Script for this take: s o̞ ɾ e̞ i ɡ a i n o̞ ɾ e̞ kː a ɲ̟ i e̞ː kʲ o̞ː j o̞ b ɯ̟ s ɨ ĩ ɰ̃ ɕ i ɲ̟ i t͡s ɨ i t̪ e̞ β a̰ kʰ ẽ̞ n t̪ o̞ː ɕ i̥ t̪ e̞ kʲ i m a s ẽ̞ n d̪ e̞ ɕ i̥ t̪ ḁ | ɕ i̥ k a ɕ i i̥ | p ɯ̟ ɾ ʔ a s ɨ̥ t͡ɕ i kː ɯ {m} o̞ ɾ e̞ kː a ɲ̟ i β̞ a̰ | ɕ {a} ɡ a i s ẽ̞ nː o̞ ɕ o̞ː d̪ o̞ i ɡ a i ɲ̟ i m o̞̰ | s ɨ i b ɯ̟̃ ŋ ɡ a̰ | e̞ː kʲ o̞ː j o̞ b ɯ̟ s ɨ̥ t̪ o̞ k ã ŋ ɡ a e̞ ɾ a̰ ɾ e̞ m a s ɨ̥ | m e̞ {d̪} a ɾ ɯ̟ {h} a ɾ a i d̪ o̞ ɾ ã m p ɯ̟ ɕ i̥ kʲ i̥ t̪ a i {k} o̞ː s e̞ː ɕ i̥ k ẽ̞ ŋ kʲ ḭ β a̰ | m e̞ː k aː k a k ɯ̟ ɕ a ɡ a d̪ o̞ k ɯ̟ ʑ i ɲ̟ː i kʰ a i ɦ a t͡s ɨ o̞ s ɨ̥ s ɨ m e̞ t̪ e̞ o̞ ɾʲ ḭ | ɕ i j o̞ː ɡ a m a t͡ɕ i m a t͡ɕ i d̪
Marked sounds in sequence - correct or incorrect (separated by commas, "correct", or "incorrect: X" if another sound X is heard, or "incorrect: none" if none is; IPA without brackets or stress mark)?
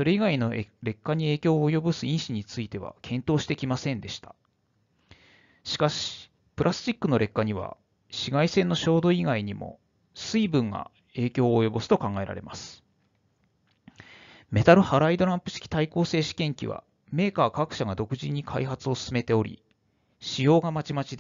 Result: incorrect: n, incorrect: i, incorrect: t̪, correct, correct